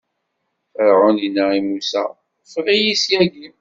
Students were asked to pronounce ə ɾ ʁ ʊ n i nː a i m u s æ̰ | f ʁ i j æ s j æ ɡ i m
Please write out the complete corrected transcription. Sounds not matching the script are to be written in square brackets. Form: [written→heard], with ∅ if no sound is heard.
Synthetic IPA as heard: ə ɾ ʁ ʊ n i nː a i m u s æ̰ | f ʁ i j [æ→i] s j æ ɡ i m